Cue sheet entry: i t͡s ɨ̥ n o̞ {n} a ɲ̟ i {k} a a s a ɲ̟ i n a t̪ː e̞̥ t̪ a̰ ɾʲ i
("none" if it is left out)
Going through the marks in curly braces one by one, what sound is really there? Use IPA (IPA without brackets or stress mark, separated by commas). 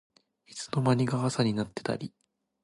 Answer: m, ɡ